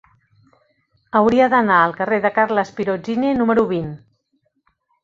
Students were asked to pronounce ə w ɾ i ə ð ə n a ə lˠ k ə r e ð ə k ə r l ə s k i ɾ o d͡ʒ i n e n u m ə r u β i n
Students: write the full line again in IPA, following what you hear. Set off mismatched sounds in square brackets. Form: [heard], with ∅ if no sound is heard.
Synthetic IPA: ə w ɾ i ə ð ə n a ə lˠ k ə r e ð ə k [a] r l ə s [p] i ɾ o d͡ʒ i n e n u m ə [ɾ] u β i n